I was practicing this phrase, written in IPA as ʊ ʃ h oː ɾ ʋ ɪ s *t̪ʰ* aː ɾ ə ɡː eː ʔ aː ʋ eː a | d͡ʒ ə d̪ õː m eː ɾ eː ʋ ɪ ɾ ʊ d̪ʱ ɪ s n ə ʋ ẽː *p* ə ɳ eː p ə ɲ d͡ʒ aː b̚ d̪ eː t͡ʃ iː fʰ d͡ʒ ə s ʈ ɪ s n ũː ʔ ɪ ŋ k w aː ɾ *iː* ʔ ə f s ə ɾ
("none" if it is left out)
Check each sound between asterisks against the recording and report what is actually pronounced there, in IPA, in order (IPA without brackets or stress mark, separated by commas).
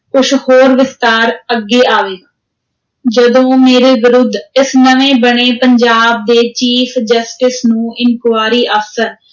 t̪, b, iː